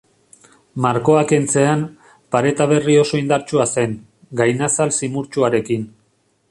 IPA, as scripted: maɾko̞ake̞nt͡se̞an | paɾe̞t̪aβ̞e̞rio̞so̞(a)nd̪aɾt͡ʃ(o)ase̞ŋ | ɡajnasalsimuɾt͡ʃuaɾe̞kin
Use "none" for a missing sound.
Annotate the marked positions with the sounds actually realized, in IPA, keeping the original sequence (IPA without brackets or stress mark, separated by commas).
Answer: i, u